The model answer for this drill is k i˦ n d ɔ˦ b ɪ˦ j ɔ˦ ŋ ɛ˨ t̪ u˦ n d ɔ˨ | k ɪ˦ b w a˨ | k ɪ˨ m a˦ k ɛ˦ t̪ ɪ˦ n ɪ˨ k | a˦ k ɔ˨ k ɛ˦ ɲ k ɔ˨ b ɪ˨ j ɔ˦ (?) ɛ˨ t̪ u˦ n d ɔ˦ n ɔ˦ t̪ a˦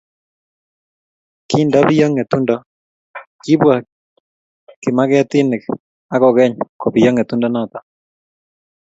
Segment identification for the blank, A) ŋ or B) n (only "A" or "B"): A